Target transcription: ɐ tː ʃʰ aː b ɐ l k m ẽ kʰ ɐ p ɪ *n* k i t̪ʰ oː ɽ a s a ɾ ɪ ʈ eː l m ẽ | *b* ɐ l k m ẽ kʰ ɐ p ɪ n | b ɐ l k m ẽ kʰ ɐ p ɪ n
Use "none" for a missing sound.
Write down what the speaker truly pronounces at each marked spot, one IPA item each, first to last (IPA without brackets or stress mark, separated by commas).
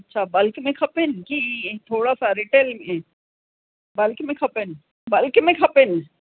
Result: n, b